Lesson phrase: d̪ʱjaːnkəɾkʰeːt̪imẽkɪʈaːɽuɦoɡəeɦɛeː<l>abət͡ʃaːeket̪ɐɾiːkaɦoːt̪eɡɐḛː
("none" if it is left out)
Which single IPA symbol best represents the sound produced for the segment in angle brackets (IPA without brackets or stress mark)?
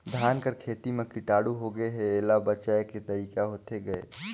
l